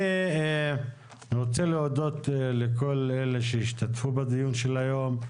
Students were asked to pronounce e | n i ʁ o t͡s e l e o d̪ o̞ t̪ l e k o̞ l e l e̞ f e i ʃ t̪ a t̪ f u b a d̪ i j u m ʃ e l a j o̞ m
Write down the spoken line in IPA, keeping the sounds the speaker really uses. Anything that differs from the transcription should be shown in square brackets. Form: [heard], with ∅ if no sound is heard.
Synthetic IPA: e | n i ʁ o t͡s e l e o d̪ o̞ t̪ l e k o̞ l e l e̞ [ʃ] e i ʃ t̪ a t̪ f u b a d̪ i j u [n] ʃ e l a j o̞ m